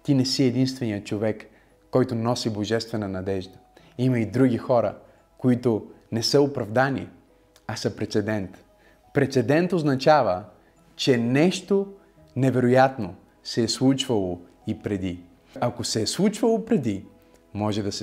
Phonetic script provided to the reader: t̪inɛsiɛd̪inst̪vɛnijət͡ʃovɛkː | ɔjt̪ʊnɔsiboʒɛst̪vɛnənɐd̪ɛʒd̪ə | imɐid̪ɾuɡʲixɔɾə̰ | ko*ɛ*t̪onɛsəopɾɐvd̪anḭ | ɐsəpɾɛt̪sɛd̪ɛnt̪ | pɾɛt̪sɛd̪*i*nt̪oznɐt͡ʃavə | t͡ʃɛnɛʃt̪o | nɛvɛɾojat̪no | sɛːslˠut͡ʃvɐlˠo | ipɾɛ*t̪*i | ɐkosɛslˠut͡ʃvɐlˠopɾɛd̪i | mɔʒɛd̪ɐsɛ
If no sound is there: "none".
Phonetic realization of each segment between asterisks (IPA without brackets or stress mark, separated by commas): i, ɛ, d̪